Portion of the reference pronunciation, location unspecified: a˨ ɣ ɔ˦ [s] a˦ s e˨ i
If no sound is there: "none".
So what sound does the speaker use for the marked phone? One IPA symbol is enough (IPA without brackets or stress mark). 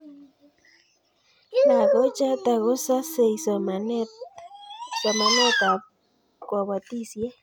s